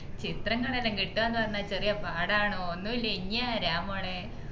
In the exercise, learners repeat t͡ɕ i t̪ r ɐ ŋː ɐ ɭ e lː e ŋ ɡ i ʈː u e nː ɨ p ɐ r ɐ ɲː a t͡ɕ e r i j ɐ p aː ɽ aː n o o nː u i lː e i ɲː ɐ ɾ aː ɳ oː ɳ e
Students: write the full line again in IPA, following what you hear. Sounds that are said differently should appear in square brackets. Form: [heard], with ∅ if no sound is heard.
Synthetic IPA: t͡ɕ i t̪ r ɐ ŋː ɐ ɭ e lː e ŋ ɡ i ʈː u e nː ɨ p ɐ r ɐ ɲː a t͡ɕ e r i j ɐ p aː ɽ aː [ɳ] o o nː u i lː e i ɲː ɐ ɾ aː [m] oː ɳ e